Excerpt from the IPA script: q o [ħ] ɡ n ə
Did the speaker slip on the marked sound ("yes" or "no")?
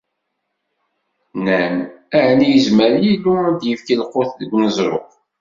yes